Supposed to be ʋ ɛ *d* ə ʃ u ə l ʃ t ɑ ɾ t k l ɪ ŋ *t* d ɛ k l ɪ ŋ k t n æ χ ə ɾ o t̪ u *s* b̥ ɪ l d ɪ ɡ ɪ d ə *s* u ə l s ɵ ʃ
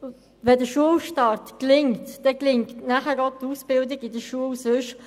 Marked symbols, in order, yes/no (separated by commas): yes, yes, yes, no